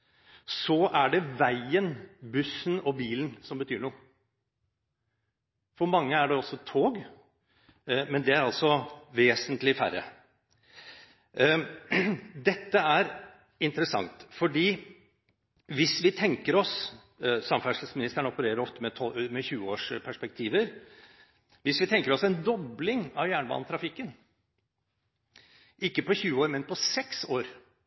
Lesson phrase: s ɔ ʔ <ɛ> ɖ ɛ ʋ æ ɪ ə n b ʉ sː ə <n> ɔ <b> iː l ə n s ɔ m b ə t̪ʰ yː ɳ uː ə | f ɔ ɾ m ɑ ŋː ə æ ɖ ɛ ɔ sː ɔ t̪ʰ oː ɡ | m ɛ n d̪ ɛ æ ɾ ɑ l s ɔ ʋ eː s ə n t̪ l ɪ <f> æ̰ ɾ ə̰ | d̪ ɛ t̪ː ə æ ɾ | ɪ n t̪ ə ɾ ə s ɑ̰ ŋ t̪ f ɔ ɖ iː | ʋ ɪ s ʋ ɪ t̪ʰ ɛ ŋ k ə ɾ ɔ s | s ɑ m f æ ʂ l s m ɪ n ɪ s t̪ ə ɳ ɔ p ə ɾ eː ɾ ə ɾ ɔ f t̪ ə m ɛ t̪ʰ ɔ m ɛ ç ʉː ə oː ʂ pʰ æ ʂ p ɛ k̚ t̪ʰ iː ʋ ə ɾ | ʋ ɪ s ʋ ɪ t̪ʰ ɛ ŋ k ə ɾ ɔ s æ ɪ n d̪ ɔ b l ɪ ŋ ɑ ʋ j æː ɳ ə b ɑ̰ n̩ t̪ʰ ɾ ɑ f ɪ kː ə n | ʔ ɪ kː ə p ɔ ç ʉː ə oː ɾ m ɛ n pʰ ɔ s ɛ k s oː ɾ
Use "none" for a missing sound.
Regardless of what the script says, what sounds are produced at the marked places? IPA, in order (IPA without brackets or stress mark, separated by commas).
æ, n, b, f